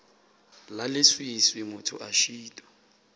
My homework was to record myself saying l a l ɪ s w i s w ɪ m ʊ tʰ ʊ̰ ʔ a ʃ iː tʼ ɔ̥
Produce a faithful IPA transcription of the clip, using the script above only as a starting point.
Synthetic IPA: l a l ɪ s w i s w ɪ m ʊ tʰ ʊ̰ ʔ a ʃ iː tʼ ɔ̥